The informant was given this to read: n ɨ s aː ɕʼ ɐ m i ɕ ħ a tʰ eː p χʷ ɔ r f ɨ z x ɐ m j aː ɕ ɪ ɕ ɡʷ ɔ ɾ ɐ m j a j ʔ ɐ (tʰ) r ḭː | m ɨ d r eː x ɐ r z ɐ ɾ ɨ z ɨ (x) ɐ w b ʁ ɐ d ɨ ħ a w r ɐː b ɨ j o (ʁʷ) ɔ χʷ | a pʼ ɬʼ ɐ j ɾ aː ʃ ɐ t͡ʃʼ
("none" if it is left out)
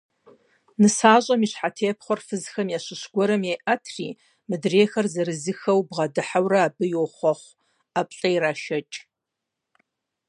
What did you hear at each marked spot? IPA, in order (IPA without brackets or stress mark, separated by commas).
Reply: tʰ, x, χʷ